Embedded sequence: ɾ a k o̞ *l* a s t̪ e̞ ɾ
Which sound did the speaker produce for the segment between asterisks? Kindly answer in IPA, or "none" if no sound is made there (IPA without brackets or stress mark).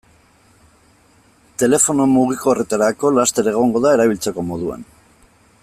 l